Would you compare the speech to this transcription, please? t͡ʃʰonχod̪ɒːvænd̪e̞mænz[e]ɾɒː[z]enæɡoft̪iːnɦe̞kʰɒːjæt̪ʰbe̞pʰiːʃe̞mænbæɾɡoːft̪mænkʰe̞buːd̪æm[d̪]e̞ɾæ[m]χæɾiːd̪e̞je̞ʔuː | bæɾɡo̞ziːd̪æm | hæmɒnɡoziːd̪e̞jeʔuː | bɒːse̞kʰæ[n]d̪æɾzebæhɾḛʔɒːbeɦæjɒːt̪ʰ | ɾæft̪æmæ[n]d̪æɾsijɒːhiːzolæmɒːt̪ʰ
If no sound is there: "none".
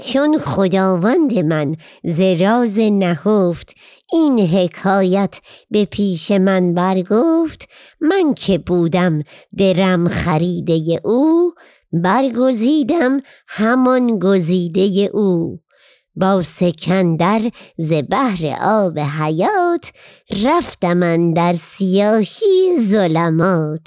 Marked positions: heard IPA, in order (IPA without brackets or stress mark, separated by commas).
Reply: e, z, d̪, m, n, n